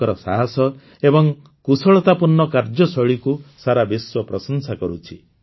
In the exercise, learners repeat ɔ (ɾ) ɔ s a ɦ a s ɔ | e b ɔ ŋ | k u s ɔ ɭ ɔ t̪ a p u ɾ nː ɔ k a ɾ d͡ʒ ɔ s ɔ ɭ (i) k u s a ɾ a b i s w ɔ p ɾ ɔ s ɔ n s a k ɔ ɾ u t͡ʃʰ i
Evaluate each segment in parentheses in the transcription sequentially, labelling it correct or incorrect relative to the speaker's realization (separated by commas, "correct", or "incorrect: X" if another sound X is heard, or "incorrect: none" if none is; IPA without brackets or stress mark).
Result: correct, correct